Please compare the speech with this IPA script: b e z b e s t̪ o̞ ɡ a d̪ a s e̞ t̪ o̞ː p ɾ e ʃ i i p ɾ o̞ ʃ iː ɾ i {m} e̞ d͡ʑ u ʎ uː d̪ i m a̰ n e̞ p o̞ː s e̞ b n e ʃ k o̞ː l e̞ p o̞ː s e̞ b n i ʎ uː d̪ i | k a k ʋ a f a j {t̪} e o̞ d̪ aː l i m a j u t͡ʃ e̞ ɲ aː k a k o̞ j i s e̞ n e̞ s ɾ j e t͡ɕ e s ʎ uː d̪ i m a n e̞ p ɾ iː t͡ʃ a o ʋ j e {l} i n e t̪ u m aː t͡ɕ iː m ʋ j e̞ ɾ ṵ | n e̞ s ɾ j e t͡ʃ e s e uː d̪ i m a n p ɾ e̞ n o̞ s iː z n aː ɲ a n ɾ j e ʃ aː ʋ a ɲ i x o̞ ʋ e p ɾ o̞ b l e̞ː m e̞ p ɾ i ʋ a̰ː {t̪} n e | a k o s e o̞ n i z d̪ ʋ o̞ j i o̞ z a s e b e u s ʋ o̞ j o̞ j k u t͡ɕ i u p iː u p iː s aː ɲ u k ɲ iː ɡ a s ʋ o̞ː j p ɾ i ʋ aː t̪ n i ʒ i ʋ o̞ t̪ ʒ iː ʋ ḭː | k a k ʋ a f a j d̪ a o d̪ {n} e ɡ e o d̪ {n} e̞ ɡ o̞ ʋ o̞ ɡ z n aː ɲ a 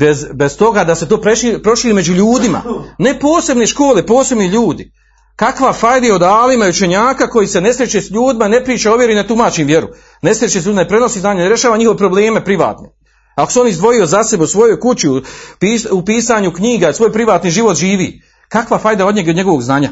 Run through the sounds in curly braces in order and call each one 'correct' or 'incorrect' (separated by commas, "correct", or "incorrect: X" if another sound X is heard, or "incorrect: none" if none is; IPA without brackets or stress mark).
correct, incorrect: d̪, incorrect: ɾ, correct, incorrect: ɲ, incorrect: ɲ